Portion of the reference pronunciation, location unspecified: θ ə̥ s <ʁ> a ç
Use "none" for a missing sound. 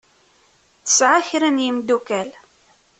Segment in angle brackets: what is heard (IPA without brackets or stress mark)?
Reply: ʕ